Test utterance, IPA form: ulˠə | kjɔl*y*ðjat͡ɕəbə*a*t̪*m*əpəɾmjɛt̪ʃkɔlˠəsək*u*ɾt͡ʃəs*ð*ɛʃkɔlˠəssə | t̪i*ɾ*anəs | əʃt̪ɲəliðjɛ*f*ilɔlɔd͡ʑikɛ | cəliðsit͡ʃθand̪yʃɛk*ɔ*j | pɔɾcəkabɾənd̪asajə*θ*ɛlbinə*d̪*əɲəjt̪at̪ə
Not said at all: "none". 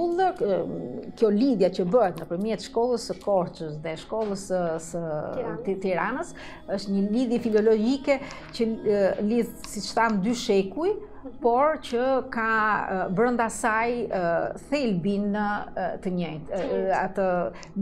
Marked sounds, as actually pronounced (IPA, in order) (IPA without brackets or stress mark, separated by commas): i, ɛ, n, ɔ, ð, ɾ, f, u, θ, t̪